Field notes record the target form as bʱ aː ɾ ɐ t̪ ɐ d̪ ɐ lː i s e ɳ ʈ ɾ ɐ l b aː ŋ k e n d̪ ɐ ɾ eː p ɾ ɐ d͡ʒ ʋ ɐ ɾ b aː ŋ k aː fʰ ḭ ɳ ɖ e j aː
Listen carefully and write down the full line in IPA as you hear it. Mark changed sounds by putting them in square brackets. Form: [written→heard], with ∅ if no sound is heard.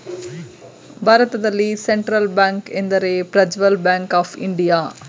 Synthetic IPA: bʱ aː ɾ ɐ t̪ ɐ d̪ ɐ lː i s e ɳ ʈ ɾ ɐ l b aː ŋ k e n d̪ ɐ ɾ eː p ɾ ɐ d͡ʒ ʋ ɐ [ɾ→l] b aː ŋ k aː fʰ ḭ ɳ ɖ [e→i] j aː